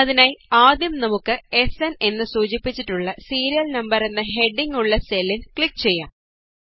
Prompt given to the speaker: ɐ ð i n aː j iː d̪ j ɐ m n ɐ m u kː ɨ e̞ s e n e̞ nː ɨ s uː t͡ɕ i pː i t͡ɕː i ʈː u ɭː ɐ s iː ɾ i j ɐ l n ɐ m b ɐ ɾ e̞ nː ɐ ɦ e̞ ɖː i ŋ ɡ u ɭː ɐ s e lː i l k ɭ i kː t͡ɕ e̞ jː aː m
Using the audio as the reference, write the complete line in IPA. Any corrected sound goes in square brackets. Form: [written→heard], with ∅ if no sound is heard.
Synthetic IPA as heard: ɐ ð i n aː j [iː→aː] d̪ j ɐ m n ɐ m u kː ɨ e̞ s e n e̞ nː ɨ s uː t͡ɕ i pː i t͡ɕː i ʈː u ɭː ɐ s iː ɾ i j ɐ l n ɐ m b ɐ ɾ e̞ nː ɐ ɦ e̞ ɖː i ŋ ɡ u ɭː ɐ s e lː i l k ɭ i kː t͡ɕ e̞ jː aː m